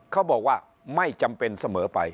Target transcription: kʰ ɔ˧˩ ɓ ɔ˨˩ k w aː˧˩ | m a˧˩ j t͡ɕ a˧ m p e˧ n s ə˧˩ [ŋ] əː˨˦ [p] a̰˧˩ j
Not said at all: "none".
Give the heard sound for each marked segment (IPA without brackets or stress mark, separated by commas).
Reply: m, p